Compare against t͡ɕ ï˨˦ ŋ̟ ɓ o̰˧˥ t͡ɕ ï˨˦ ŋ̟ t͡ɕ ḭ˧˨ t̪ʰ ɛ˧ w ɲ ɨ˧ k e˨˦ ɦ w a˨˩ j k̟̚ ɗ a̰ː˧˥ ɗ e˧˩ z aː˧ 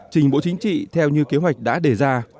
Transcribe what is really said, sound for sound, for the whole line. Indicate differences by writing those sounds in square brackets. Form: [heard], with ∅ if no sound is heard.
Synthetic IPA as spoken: t͡ɕ [ï˨˩] ŋ̟ ɓ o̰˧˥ t͡ɕ ï˨˦ ŋ̟ t͡ɕ ḭ˧˨ t̪ʰ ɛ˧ w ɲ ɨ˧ k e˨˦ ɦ w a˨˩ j k̟̚ ɗ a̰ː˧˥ ɗ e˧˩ z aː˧